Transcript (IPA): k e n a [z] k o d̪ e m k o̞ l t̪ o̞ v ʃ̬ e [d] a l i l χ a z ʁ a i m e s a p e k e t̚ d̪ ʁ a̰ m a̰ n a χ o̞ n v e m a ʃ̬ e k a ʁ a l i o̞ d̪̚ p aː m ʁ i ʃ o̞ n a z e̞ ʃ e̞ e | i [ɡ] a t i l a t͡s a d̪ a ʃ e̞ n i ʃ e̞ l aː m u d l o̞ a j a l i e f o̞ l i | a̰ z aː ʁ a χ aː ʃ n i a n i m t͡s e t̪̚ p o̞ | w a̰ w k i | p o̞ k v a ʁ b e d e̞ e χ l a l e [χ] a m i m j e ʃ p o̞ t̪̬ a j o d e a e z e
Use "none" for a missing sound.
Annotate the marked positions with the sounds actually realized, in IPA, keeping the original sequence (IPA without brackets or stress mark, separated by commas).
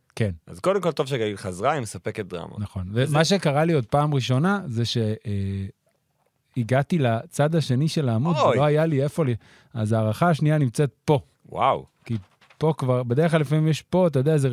z, ɡ, ɡ, f